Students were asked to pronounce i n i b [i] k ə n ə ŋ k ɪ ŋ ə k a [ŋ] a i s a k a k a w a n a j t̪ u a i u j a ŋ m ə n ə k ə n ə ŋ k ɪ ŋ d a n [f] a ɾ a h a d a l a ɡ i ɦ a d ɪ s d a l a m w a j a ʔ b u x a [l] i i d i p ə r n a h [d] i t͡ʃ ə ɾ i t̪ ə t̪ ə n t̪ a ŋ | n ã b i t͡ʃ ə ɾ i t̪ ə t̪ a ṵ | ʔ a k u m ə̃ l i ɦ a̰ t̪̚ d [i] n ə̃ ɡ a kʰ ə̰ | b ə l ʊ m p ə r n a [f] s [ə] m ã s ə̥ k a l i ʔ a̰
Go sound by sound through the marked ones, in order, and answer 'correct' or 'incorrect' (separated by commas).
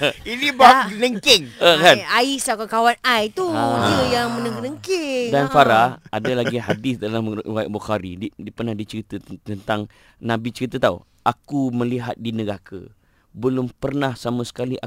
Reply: incorrect, incorrect, correct, incorrect, correct, correct, incorrect, incorrect